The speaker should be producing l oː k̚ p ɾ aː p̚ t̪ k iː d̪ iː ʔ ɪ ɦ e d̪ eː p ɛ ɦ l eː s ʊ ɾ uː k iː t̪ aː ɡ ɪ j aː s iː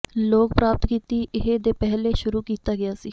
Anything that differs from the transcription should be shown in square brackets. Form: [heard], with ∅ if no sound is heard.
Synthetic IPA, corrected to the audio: l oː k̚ p ɾ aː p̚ t̪ k iː [t̪] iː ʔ ɪ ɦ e d̪ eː p ɛ ɦ l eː [ʃ] ʊ ɾ uː k iː t̪ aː ɡ ɪ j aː s iː